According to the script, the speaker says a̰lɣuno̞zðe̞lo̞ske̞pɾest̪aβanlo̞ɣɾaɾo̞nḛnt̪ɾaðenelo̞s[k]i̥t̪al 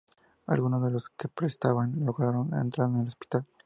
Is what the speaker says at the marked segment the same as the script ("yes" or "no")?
no